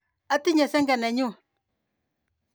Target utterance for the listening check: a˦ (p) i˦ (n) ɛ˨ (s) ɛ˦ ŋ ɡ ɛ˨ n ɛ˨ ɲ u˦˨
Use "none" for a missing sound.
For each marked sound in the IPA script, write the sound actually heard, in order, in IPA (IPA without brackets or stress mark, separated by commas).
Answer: t, ɲ, s